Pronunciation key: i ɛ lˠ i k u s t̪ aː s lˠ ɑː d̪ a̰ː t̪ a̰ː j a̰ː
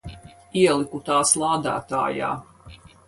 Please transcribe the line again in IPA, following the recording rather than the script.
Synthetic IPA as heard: i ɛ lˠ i k u t̪ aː s lˠ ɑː d̪ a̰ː t̪ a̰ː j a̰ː